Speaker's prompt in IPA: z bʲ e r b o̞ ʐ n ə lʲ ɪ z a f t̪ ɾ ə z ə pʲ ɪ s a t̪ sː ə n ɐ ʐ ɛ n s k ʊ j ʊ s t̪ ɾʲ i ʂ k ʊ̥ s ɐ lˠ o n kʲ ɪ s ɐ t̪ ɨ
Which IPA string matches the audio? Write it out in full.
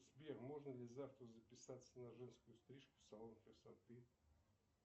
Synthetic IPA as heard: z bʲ e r m o̞ ʐ n ə lʲ ɪ z a f t̪ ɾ ə z ə pʲ ɪ s a t̪ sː ə n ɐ ʐ ɛ n s k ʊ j ʊ s t̪ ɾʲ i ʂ k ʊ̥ s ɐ lˠ o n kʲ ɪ s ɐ t̪ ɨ